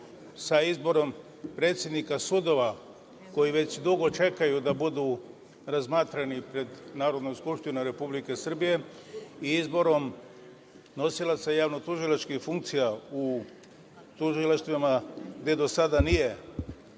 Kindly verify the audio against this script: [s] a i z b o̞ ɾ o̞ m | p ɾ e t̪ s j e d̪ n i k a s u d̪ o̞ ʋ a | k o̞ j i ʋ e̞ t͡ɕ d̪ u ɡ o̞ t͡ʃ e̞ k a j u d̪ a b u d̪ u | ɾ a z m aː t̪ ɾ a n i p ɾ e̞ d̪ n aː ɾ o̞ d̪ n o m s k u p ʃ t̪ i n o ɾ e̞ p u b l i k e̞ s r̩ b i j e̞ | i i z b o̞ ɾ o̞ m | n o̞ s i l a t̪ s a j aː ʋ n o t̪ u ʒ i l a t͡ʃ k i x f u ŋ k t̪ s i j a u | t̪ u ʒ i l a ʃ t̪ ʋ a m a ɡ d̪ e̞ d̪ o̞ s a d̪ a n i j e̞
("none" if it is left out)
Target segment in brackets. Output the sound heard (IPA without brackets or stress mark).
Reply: s